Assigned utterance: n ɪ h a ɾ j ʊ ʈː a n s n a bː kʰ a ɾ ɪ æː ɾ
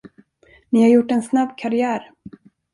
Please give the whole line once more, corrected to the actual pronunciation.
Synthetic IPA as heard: n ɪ h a ɾ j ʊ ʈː ɛ n s n a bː kʰ a ɾ ɪ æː ɾ

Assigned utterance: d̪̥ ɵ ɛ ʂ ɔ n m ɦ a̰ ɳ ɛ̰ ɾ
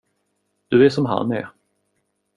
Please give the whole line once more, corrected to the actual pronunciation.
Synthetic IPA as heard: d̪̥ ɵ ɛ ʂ ɔ m ɦ a̰ n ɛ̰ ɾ

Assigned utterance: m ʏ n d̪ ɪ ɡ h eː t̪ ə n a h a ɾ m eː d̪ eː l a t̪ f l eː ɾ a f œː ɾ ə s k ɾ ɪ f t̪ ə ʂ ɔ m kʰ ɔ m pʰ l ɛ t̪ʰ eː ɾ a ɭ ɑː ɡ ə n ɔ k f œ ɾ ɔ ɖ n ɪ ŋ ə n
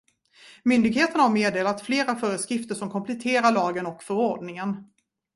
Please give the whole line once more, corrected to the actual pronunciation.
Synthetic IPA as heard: m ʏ n d̪ ɪ ɡ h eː t̪ ə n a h a ɾ m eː d̪ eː l a t̪ f l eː ɾ a f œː ɾ ə s k ɾ ɪ f t̪ ə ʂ ɔ m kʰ ɔ m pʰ l ɛ t̪ʰ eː ɾ a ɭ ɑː ɡ ə n ɔ k f œ ɾ ɔ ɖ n ɪ ŋ ə n

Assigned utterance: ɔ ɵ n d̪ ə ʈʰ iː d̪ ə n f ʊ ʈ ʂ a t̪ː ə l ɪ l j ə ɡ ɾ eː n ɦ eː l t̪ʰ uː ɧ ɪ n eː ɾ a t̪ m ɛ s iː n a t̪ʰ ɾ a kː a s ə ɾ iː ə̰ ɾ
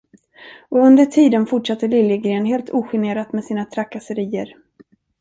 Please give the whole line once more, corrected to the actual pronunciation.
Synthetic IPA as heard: ɔ ɵ n d̪ ə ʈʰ iː d̪ ə n f ʊ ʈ ʂ a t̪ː ə l ɪ l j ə ɡ ɾ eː n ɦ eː l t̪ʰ uː ɧ ɪ n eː ɾ a t̪ m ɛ s iː n a t̪ʰ ɾ a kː a s ə ɾ iː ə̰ ɾ

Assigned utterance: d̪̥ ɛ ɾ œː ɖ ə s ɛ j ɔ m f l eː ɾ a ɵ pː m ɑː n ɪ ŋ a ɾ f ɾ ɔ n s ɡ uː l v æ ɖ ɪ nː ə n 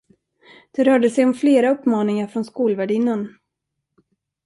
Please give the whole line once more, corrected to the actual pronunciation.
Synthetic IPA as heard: d̪̥ ɛ ɾ œː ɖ ə s ɛ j ɔ m f l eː ɾ a ɵ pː m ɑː n ɪ ŋ a ɾ f ɾ ɔ n s k uː l v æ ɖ ɪ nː ə n

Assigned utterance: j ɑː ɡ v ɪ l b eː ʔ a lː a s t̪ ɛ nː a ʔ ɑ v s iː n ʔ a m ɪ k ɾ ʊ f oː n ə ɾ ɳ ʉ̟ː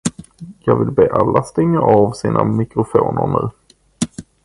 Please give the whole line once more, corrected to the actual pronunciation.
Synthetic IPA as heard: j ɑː ɡ v ɪ l b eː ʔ a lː a s t̪ ɛ ŋː a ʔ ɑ v s iː n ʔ a m ɪ k ɾ ʊ f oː n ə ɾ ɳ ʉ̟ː

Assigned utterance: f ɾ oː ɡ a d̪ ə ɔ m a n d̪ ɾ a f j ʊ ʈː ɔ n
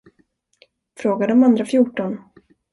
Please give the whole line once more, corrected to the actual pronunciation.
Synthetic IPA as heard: f ɾ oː ɡ a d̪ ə ɔ m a n d̪ ɾ a f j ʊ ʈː ɔ n

